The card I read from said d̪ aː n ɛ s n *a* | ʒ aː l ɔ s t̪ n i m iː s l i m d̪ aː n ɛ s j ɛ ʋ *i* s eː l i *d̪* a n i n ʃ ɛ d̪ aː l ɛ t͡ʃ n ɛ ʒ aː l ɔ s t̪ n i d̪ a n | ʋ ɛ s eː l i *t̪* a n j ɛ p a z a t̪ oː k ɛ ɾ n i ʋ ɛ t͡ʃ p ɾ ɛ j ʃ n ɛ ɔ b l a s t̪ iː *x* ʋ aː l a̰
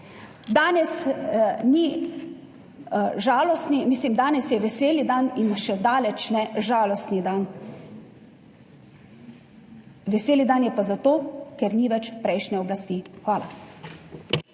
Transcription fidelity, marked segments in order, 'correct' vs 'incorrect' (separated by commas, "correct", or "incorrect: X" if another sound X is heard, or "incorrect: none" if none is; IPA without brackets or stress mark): incorrect: i, incorrect: ɛ, correct, incorrect: d̪, correct